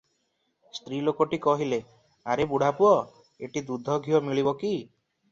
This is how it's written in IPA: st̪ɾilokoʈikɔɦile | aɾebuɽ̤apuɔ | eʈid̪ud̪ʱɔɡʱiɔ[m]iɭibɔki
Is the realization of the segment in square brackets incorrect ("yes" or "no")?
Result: no